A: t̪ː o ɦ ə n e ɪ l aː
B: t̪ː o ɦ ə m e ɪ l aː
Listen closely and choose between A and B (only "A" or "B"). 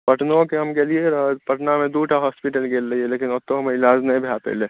B